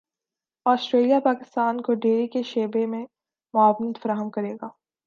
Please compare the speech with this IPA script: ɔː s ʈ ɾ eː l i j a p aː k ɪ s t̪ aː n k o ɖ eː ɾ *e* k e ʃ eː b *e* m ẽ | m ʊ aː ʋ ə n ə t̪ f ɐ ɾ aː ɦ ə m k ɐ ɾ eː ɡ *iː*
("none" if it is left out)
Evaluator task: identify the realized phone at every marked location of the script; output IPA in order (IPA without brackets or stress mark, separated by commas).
i, e, aː